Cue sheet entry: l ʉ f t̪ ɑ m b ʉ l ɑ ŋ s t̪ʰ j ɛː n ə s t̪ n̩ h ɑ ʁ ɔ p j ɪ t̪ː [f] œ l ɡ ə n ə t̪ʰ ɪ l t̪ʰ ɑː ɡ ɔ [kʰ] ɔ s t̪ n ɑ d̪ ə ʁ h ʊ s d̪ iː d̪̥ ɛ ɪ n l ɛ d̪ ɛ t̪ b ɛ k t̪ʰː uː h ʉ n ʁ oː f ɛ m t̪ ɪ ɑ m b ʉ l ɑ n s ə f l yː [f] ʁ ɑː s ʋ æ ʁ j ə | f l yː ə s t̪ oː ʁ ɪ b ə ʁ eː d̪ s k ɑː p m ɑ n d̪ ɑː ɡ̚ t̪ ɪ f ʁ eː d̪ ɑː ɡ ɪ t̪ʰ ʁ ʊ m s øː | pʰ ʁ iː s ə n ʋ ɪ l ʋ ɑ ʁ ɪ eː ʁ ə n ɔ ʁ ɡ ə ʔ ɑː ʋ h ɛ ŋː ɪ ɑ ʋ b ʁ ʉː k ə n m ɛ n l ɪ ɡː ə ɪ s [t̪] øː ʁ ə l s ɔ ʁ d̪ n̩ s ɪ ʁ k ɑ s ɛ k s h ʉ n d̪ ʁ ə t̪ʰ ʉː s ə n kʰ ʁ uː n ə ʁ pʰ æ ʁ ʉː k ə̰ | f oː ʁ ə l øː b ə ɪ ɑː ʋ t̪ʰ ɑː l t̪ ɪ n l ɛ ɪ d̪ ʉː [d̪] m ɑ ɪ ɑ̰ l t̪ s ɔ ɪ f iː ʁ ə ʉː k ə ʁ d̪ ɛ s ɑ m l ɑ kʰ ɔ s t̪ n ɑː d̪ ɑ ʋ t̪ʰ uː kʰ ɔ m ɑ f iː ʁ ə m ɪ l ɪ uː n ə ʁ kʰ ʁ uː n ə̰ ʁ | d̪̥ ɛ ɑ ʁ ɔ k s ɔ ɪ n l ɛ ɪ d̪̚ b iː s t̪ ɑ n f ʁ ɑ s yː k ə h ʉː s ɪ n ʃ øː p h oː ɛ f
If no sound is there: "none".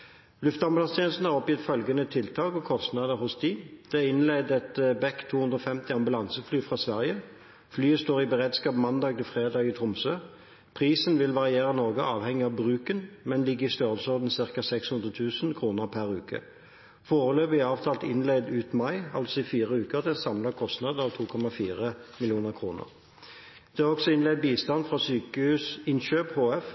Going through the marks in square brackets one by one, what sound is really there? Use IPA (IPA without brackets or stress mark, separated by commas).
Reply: f, kʰ, f, t̪, t̪